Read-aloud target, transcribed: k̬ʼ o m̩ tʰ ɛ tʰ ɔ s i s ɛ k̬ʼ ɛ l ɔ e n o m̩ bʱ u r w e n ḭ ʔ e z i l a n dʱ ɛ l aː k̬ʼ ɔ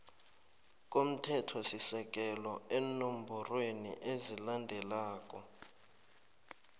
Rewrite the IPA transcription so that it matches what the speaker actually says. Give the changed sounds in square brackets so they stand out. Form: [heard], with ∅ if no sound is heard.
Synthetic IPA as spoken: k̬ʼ o m̩ tʰ ɛ tʰ ɔ s i s ɛ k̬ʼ ɛ l ɔ e n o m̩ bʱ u r w e n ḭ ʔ e z i l a n dʱ ɛ l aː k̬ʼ ɔ